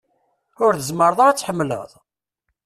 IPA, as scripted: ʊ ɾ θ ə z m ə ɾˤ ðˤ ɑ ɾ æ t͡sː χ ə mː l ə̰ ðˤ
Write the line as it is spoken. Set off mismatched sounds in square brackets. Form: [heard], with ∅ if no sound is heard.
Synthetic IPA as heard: ʊ ɾ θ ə z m ə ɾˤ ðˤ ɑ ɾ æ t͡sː [ħ] ə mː l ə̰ ðˤ

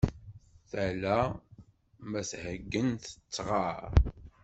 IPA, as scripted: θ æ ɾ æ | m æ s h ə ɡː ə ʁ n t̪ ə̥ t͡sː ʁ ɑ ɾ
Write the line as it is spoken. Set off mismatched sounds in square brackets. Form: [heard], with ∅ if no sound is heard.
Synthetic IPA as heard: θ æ [l] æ | m æ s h ə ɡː ə [∅] n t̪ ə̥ t͡sː ʁ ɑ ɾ

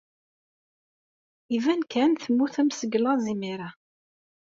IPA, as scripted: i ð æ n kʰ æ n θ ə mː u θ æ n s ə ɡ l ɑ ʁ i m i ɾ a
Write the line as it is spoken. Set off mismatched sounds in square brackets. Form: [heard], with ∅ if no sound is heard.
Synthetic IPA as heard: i [v] æ n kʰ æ n θ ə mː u θ æ [m] s ə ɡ l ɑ [z] i m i ɾ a

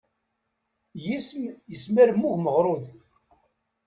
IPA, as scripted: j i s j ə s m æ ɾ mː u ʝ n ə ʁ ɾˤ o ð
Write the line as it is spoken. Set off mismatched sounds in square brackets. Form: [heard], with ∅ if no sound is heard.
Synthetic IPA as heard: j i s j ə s m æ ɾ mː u ʝ [m] ə ʁ ɾˤ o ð

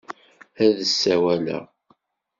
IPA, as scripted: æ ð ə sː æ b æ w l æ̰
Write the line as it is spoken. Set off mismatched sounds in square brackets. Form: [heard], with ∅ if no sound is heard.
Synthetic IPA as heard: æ ð ə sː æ [w] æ [∅] l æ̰

